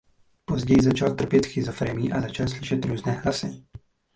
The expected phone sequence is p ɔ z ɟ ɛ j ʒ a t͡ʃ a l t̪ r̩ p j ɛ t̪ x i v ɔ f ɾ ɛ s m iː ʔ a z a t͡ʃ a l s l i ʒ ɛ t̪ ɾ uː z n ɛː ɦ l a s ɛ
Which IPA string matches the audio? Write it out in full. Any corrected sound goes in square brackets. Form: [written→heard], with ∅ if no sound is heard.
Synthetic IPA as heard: p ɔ z ɟ ɛ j [ʒ→z] a t͡ʃ a l t̪ r̩ p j ɛ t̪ x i [v→z] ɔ f ɾ ɛ [s→∅] m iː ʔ a z a t͡ʃ a l s l i [ʒ→ʃ] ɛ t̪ ɾ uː z n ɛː ɦ l a s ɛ

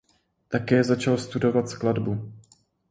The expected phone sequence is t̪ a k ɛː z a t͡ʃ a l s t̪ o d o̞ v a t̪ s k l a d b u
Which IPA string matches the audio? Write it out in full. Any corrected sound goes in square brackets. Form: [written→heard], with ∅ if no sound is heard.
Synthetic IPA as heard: t̪ a k ɛː z a t͡ʃ a l s t̪ [o→u] d o̞ v a t̪ s k l a d b u

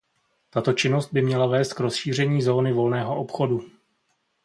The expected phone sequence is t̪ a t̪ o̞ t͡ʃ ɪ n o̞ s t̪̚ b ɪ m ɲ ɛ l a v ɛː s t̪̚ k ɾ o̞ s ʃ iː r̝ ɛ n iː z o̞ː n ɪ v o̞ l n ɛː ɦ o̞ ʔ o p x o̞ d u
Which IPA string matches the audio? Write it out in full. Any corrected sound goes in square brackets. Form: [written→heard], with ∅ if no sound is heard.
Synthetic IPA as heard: t̪ a t̪ o̞ t͡ʃ ɪ n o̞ s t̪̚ b ɪ m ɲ ɛ l a v ɛː s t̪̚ k ɾ o̞ s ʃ iː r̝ ɛ [n→ɲ] iː z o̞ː n ɪ v o̞ l n ɛː ɦ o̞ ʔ o p x o̞ d u

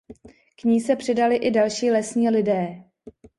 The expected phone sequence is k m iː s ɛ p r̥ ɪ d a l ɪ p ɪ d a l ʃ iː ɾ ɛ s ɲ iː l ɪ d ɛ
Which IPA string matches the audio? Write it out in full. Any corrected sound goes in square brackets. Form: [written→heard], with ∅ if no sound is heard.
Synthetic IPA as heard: k [m→ɲ] iː s ɛ p r̥ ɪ d a l ɪ [p→ʔ] ɪ d a l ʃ iː [ɾ→l] ɛ s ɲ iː l ɪ d [ɛ→ɛː]

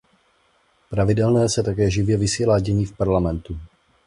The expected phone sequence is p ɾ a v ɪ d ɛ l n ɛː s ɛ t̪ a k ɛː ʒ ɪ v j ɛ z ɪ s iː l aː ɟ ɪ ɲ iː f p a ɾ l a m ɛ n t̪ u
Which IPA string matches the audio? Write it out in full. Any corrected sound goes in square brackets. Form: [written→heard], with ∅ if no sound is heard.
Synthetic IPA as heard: p ɾ a v ɪ d ɛ l n ɛː s ɛ t̪ a k ɛː ʒ ɪ v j ɛ [z→v] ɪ s iː l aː ɟ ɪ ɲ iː f p a ɾ l a m ɛ n t̪ u

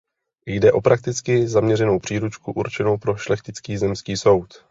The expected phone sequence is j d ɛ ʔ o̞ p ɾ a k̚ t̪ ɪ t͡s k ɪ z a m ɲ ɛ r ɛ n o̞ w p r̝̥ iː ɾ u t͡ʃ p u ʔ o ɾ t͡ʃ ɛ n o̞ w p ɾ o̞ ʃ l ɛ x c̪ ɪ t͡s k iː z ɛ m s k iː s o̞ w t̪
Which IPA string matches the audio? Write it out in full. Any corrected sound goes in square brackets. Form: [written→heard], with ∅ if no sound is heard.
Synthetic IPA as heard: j d ɛ ʔ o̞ p ɾ a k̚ t̪ ɪ t͡s k ɪ z a m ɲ ɛ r ɛ n o̞ w p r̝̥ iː ɾ u t͡ʃ [p→k] u ʔ [o→u] ɾ t͡ʃ ɛ n o̞ w p ɾ o̞ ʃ l ɛ x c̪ ɪ t͡s k iː z ɛ m s k iː s o̞ w t̪

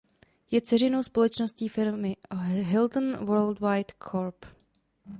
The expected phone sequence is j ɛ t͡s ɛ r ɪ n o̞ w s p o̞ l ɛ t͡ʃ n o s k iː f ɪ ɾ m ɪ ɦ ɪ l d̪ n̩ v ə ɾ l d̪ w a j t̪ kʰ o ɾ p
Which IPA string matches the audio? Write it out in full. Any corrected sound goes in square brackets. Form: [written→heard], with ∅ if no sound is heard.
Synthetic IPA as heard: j ɛ t͡s ɛ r ɪ n o̞ w s p o̞ l ɛ t͡ʃ n o s [k→c] iː f ɪ ɾ m ɪ ɦ ɪ l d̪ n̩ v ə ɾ l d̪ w a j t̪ kʰ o ɾ p

